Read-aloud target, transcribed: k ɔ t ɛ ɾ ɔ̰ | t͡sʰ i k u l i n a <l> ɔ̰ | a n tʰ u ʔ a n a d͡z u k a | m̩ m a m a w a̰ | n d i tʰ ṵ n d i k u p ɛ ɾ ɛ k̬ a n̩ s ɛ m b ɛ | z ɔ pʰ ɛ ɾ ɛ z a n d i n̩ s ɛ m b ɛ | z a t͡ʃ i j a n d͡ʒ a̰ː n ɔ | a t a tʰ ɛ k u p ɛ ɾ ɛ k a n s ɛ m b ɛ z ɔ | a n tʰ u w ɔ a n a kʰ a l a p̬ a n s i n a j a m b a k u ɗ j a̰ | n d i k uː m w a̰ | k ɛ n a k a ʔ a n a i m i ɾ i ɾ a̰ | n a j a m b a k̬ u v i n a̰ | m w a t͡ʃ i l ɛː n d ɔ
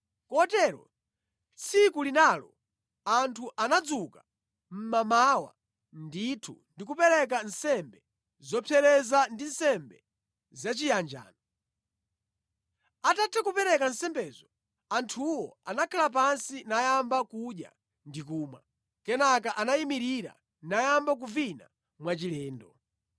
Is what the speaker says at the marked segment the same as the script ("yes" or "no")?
yes